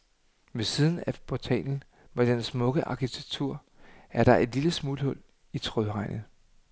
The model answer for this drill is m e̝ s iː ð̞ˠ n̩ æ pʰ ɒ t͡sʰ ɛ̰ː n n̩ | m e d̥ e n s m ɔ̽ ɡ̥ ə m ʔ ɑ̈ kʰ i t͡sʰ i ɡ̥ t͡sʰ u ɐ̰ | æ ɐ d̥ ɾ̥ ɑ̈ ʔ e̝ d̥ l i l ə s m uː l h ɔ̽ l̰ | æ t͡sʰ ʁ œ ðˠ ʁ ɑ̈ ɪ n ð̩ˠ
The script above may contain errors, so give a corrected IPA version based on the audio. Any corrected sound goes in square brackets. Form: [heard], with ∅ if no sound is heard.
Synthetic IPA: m e̝ s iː ð̞ˠ n̩ æ pʰ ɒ t͡sʰ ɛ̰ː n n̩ | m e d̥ e n s m ɔ̽ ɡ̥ ə [∅] ʔ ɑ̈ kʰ i t͡sʰ [e] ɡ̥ t͡sʰ u ɐ̰ | æ ɐ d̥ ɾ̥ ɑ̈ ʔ e̝ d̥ l i l ə s m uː l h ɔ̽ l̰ | [i] t͡sʰ ʁ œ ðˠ ʁ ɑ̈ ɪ n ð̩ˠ